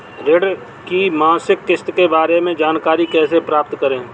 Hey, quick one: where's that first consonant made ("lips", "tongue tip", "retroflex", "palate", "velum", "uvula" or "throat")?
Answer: tongue tip